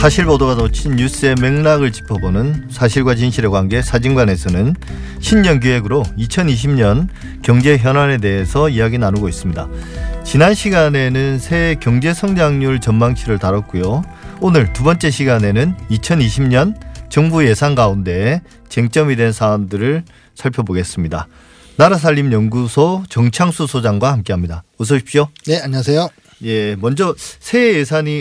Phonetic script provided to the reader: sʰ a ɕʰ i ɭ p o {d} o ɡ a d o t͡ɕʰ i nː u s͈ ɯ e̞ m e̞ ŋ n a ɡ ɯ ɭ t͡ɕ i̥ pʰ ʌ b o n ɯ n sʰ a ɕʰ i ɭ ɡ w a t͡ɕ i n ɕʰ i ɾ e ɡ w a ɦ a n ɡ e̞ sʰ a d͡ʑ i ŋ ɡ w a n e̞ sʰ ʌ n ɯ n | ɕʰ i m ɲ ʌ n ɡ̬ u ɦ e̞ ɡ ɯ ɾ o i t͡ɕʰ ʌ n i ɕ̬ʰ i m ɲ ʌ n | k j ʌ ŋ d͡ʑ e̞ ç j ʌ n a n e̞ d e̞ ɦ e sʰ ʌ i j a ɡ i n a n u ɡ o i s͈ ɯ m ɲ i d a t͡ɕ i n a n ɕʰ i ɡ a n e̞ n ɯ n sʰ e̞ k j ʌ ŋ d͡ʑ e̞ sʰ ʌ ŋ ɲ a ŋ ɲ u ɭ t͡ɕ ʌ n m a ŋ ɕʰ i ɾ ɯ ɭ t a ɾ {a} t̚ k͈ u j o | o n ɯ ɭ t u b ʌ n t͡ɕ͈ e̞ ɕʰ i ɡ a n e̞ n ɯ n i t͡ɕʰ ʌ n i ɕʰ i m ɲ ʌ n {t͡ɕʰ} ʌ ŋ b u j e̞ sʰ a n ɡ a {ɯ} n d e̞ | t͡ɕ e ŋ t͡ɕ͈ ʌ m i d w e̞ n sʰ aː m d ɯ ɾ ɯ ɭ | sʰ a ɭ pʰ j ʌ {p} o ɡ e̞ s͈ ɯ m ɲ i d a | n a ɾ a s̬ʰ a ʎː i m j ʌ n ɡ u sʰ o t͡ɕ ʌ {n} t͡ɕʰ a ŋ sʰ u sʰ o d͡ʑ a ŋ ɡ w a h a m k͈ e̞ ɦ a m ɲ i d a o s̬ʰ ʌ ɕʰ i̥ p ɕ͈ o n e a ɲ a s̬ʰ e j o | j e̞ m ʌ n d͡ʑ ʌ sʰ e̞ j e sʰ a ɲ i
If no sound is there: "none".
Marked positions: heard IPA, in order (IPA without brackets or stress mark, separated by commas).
d, ʌ, t͡ɕ, u, b, ŋ